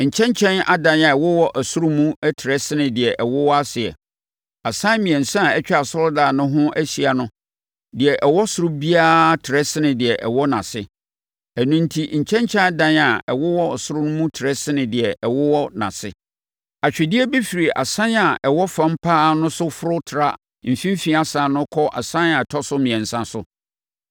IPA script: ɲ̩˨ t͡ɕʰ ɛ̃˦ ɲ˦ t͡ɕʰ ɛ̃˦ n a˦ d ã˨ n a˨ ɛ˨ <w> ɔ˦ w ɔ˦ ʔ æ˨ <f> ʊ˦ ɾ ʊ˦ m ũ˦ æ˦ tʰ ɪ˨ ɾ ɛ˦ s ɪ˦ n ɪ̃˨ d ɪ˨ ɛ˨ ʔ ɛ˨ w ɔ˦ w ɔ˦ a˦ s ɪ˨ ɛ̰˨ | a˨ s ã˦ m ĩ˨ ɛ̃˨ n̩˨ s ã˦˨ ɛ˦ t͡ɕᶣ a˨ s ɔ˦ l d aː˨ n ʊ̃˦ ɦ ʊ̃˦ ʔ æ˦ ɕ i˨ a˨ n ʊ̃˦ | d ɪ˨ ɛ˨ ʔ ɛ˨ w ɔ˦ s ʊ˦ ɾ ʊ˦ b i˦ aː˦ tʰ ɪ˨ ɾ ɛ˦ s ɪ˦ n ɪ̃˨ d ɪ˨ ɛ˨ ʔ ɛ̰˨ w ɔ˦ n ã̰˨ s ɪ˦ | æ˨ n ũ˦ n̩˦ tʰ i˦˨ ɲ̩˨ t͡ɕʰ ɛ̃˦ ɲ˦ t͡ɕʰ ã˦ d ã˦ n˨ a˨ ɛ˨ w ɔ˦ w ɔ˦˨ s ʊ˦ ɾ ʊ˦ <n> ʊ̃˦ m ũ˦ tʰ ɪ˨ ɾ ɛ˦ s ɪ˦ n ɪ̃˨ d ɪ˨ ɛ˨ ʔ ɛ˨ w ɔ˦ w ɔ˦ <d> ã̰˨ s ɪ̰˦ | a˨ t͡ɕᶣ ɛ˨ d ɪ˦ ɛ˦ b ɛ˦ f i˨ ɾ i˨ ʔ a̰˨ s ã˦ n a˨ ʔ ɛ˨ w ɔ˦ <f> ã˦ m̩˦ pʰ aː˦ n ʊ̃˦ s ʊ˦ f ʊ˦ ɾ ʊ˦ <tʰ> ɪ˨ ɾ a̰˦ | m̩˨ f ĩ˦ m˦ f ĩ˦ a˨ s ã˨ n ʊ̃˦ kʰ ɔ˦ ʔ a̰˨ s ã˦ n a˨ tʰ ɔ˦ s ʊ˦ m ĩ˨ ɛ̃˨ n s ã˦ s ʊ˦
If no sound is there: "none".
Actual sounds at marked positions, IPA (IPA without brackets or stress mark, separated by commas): w, s, n, n, f, tʰ